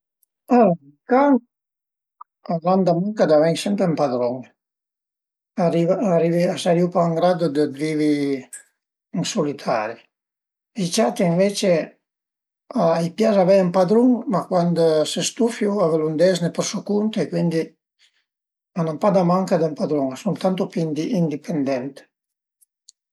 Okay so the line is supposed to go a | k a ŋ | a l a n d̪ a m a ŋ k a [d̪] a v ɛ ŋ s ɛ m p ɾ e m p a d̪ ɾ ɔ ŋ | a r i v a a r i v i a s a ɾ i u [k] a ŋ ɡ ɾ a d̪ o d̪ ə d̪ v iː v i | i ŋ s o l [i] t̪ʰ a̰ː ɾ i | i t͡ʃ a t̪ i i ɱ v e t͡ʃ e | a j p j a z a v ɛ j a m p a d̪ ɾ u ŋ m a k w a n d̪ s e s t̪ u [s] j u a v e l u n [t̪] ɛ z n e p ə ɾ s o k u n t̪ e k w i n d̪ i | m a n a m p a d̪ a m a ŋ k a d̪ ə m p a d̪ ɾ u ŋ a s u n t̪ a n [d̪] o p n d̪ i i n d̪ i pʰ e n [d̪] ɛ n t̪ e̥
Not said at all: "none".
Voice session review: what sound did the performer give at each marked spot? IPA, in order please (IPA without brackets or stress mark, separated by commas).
d̪, p, i, f, d̪, t̪, d̪